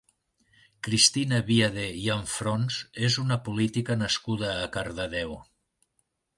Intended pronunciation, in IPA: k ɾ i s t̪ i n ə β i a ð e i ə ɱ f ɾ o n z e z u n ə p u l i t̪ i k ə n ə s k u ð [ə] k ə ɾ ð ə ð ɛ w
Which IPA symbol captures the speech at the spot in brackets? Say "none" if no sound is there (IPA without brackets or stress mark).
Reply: əː